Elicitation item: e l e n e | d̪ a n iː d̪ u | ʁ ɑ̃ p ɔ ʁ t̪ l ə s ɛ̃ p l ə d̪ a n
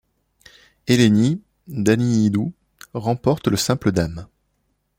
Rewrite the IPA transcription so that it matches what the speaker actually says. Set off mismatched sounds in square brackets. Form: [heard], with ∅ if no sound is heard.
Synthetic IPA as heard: e l e n [i] | d̪ a n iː d̪ u | ʁ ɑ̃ p ɔ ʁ t̪ l ə s ɛ̃ p l ə d̪ a [m]

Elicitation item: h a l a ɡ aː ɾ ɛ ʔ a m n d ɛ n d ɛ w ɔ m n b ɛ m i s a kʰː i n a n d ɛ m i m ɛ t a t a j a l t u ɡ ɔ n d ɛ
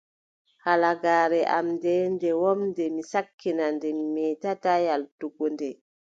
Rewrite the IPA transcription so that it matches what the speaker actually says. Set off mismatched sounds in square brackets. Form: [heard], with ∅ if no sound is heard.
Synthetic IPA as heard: h a l a ɡ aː ɾ ɛ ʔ a m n d ɛ n d ɛ w ɔ m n [d] ɛ m i s a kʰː i n a n d ɛ m i m ɛ t a t a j a l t u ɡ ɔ n d ɛ

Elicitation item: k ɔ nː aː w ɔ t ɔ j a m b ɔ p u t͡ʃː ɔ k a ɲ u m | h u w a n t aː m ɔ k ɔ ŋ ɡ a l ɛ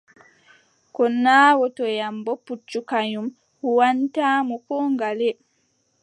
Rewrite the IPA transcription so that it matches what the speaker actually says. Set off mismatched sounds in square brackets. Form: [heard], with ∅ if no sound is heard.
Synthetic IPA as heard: k ɔ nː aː w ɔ t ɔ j a m b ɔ p u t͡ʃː [u] k a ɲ u m | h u w a n t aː m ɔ k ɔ ŋ ɡ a l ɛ

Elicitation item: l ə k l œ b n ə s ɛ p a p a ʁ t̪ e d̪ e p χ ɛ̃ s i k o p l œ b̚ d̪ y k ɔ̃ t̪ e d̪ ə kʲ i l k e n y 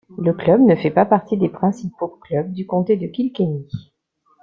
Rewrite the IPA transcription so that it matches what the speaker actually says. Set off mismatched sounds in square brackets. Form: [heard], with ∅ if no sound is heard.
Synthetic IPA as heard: l ə k l œ b n ə [f] ɛ p a p a ʁ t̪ [i] d̪ e p χ ɛ̃ s i [p] o [k] l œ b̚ d̪ y k ɔ̃ t̪ e d̪ ə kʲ i l k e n [i]

